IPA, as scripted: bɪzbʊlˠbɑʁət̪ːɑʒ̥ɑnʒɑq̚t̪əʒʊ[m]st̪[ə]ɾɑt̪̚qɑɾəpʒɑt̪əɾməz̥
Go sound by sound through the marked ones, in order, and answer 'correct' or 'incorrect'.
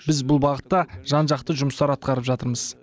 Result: correct, incorrect

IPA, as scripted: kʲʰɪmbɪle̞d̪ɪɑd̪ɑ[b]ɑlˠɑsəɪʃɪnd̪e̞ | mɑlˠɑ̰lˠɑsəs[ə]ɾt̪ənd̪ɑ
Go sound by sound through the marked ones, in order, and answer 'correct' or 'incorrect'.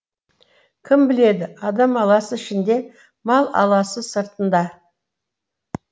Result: incorrect, correct

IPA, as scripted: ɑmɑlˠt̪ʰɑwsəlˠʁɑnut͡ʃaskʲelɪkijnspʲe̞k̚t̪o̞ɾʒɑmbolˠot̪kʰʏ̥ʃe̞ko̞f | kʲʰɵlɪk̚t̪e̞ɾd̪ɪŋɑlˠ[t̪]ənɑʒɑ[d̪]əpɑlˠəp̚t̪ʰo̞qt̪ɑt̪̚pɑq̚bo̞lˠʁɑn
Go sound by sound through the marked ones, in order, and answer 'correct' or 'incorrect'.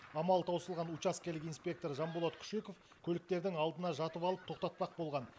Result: incorrect, incorrect

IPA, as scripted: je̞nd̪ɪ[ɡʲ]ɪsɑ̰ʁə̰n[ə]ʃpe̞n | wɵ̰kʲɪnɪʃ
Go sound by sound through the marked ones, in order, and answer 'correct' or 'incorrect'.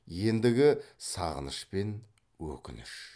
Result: correct, correct

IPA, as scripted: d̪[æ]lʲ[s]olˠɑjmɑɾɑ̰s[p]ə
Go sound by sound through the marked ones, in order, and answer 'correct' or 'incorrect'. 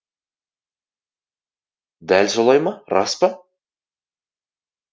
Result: correct, correct, correct

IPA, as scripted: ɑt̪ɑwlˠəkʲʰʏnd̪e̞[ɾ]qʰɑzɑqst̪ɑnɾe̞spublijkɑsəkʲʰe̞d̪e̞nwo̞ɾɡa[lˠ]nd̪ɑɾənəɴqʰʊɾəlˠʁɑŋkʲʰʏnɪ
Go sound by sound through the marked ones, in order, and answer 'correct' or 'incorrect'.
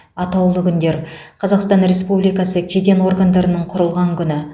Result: correct, incorrect

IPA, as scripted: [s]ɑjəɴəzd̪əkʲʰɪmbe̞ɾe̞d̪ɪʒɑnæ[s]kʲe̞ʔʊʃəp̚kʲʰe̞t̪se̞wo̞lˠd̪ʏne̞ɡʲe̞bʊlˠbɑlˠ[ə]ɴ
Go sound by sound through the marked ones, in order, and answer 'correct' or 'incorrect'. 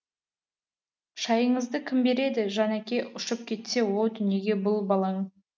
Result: incorrect, incorrect, incorrect

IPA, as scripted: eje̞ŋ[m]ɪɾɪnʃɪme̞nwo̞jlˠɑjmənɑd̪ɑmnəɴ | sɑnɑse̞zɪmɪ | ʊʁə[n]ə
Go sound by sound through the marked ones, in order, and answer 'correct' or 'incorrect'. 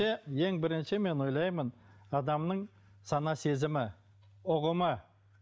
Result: incorrect, incorrect

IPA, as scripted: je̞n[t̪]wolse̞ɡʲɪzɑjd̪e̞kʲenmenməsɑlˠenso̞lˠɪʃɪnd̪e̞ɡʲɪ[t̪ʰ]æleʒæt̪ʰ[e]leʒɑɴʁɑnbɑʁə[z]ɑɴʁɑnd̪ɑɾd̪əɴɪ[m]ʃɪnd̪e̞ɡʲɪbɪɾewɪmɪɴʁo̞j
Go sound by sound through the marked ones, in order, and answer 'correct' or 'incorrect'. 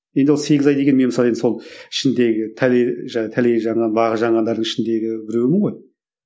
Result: incorrect, correct, incorrect, incorrect, incorrect

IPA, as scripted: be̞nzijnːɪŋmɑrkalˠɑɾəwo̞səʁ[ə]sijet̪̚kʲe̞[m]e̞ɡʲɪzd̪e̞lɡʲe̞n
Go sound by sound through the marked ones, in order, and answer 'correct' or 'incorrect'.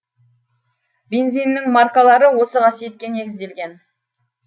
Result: incorrect, incorrect

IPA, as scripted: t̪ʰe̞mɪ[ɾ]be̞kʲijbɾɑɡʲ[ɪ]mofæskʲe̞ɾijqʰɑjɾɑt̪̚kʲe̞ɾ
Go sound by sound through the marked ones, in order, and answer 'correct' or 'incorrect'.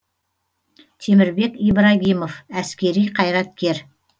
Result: correct, incorrect

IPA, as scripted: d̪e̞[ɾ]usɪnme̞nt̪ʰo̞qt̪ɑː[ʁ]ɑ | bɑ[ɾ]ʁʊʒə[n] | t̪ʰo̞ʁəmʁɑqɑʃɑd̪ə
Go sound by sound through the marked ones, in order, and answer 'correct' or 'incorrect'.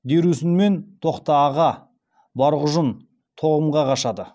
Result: correct, correct, correct, correct

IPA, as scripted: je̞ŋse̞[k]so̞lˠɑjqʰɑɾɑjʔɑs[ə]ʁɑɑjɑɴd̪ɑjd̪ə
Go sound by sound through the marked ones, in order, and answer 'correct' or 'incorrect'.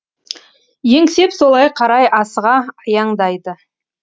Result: incorrect, correct

